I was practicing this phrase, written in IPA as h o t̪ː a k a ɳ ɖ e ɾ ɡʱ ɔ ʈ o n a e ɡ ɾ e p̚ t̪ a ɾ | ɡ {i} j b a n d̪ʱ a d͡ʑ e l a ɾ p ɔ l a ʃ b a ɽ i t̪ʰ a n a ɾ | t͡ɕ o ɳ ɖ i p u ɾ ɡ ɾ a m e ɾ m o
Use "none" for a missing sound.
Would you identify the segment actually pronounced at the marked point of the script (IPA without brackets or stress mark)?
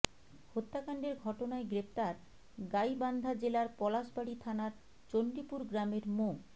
a